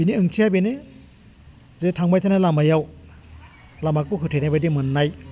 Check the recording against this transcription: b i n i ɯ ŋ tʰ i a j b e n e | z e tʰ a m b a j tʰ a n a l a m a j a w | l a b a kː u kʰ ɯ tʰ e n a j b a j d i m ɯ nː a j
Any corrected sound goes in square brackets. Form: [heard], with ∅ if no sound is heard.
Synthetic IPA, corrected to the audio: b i n i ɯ ŋ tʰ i a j b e n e | z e tʰ a [ŋ] b a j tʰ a n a l a m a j a w | l a [m] a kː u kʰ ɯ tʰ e n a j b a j d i m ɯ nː a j